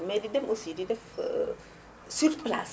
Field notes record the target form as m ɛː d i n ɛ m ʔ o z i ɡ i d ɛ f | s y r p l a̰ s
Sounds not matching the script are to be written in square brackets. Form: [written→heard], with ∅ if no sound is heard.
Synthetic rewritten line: m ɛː d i [n→d] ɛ m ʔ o [z→s] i [ɡ→d] i d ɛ f | s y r p l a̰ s